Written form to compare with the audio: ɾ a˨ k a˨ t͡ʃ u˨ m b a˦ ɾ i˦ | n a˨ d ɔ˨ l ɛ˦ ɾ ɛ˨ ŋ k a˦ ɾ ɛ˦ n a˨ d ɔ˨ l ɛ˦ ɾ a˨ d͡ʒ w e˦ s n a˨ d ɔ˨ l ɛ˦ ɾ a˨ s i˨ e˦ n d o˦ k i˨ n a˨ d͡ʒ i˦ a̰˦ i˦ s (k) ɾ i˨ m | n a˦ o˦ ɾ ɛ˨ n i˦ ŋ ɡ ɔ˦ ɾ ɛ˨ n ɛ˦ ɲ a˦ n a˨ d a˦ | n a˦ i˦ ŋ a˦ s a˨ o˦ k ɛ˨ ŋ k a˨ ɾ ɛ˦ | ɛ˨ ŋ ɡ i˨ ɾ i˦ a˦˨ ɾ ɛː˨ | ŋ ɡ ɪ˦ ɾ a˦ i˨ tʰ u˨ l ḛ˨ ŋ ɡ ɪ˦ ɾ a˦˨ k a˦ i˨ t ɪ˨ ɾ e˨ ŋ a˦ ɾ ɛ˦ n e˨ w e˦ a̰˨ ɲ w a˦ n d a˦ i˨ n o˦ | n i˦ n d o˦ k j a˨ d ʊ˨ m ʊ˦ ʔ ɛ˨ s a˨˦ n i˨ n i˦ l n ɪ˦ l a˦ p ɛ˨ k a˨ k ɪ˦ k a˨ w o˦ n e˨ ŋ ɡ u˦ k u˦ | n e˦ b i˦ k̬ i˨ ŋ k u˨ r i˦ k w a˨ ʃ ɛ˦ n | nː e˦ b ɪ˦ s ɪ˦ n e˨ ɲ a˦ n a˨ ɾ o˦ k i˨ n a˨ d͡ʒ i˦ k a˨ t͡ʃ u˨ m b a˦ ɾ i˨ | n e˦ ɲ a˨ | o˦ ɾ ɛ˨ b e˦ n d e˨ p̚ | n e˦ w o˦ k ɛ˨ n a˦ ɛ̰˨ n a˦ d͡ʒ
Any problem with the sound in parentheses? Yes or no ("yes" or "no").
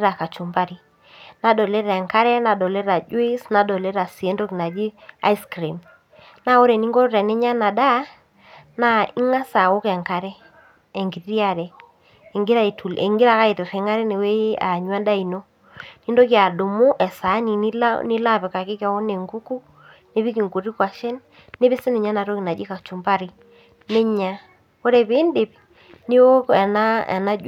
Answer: no